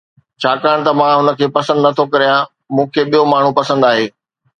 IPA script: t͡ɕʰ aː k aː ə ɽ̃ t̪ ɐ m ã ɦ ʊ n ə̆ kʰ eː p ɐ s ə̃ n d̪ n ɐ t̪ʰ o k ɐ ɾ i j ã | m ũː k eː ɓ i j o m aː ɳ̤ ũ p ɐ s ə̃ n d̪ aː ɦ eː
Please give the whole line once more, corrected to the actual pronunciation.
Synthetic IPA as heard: t͡ɕʰ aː k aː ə ɽ̃ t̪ ɐ m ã ɦ ʊ n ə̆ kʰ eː p ɐ s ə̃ n d̪ n ɐ t̪ʰ o k ɐ ɾ i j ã | m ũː kʰ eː ɓ i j o m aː ɳ̤ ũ p ɐ s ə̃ n d̪ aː ɦ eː